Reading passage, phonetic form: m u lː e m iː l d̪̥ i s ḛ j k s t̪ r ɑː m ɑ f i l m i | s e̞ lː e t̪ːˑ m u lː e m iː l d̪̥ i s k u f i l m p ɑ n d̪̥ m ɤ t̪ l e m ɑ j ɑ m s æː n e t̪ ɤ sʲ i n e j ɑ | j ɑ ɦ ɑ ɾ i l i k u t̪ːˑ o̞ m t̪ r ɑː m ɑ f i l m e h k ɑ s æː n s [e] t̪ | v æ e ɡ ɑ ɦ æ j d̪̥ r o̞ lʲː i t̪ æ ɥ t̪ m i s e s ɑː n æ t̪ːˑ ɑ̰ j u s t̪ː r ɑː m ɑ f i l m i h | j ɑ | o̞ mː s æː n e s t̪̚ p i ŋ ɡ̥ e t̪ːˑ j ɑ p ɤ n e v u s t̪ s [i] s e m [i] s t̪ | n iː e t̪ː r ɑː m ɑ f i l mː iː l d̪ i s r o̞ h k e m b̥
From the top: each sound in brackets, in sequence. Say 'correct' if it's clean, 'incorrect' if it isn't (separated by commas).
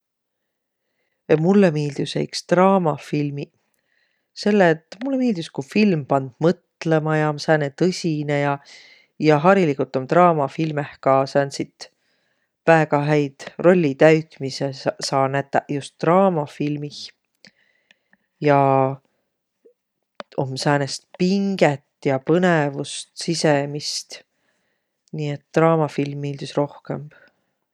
incorrect, correct, correct